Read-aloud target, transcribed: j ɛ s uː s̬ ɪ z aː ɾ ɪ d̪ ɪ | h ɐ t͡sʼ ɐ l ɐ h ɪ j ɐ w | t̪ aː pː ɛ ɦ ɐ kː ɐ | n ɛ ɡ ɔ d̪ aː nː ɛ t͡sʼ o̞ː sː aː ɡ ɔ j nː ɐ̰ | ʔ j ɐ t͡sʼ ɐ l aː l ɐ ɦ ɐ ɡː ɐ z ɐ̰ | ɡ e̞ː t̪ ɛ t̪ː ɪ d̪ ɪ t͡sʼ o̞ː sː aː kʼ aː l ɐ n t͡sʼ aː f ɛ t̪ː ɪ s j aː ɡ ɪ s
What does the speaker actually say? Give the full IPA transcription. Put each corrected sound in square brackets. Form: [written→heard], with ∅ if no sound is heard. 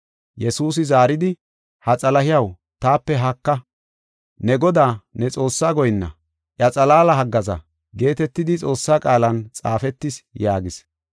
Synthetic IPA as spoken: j ɛ s uː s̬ ɪ z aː ɾ ɪ d̪ ɪ | h ɐ t͡sʼ ɐ l ɐ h ɪ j ɐ w | t̪ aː pː ɛ ɦ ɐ kː ɐ | n ɛ ɡ ɔ d̪ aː [nː→n] ɛ t͡sʼ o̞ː sː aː ɡ ɔ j nː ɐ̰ | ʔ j ɐ t͡sʼ ɐ l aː l ɐ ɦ ɐ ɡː ɐ z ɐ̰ | ɡ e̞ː t̪ ɛ t̪ː ɪ d̪ ɪ t͡sʼ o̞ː sː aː kʼ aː l ɐ n t͡sʼ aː f ɛ t̪ː ɪ s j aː ɡ ɪ s

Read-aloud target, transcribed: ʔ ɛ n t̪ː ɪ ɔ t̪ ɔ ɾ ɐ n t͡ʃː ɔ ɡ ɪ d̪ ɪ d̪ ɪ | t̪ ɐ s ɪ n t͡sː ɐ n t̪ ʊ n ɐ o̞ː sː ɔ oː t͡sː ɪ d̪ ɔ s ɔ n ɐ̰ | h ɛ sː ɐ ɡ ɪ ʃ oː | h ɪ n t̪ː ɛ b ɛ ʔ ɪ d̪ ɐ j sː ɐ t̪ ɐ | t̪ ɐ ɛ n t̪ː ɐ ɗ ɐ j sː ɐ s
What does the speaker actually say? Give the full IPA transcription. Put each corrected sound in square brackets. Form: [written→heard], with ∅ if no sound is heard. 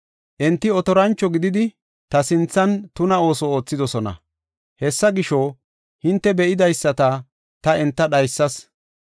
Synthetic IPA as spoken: ʔ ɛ n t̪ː ɪ ɔ t̪ ɔ ɾ ɐ n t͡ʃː ɔ ɡ ɪ d̪ ɪ d̪ ɪ | t̪ ɐ s ɪ n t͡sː ɐ n t̪ ʊ n ɐ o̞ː [sː→s] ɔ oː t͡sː ɪ d̪ ɔ s ɔ n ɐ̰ | h ɛ sː ɐ ɡ ɪ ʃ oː | h ɪ n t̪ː ɛ b ɛ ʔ ɪ d̪ ɐ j sː ɐ t̪ ɐ | t̪ ɐ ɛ n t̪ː ɐ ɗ ɐ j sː ɐ s

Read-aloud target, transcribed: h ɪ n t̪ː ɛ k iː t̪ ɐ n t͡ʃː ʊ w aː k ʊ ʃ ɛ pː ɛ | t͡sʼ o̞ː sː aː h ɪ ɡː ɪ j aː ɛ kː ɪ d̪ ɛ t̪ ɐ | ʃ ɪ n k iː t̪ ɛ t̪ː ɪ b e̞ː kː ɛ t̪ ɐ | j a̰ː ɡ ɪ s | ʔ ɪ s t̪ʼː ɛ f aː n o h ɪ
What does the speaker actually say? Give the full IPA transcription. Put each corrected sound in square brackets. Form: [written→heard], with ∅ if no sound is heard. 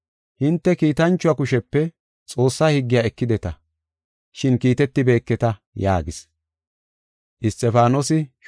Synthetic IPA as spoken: h ɪ n t̪ː ɛ k iː t̪ ɐ n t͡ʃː ʊ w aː k ʊ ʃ ɛ pː ɛ | t͡sʼ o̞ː sː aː h ɪ ɡː ɪ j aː ɛ kː ɪ d̪ ɛ t̪ ɐ | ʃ ɪ n k iː t̪ ɛ t̪ː ɪ b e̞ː kː ɛ t̪ ɐ | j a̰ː ɡ ɪ s | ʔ ɪ s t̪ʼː ɛ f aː n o [h→s] ɪ

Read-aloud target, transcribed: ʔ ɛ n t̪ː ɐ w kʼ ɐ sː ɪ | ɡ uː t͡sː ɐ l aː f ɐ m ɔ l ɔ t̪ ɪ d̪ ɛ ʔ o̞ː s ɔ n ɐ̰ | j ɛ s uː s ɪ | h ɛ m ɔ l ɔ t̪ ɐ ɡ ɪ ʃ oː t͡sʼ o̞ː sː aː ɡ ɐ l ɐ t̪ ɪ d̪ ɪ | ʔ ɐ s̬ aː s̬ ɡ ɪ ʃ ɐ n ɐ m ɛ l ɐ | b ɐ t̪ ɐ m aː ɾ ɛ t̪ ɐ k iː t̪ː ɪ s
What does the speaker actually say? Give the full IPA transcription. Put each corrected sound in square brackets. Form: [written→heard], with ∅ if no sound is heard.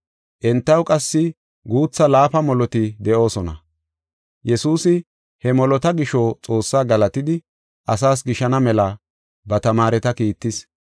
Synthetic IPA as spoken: ʔ ɛ n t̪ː ɐ w kʼ ɐ sː ɪ | ɡ uː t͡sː ɐ l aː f ɐ m ɔ l ɔ t̪ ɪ d̪ ɛ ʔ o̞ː s ɔ n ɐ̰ | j ɛ s uː s ɪ | h ɛ m ɔ l ɔ t̪ ɐ ɡ ɪ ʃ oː t͡sʼ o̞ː sː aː ɡ ɐ l ɐ t̪ ɪ d̪ ɪ | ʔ ɐ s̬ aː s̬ ɡ ɪ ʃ ɐ n ɐ m ɛ l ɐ | b ɐ t̪ ɐ m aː ɾ ɛ t̪ ɐ k iː t̪ː ɪ s

